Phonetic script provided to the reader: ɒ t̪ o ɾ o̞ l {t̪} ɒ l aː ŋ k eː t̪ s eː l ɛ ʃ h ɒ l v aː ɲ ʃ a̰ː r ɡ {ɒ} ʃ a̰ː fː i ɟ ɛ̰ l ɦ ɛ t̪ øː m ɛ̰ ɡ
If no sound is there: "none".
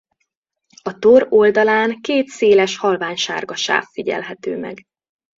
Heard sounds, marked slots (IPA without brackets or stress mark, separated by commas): d̪, ɒ